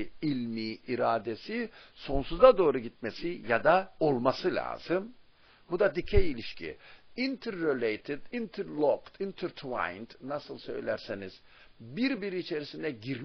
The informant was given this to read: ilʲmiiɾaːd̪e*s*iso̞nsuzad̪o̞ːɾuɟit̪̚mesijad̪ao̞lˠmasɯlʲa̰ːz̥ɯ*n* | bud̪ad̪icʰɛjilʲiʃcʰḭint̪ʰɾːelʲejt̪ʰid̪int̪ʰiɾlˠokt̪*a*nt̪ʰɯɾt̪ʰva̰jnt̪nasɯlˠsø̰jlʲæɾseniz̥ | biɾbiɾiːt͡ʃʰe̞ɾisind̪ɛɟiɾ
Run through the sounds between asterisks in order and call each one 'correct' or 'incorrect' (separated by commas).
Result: correct, incorrect, incorrect